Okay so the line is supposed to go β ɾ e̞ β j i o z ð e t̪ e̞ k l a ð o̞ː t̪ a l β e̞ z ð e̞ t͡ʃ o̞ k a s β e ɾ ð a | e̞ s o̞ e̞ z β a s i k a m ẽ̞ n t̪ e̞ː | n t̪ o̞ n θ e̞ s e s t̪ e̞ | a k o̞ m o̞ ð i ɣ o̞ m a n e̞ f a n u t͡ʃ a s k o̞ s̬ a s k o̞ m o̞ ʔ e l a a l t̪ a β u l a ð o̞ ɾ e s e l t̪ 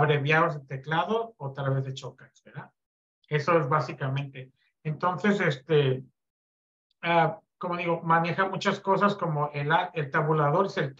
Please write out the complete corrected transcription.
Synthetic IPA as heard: β ɾ e̞ β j a o z ð e t̪ e̞ k l a ð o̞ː t̪ a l β e̞ z ð e̞ t͡ʃ o̞ k a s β e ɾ ð a | e̞ s o̞ e̞ z β a s i k a m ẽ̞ n t̪ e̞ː | n t̪ o̞ n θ e̞ s e s t̪ e̞ | a k o̞ m o̞ ð i ɣ o̞ m a n e̞ x a m u t͡ʃ a s k o̞ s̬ a s k o̞ m o̞ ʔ e l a e l t̪ a β u l a ð o̞ ɾ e s e l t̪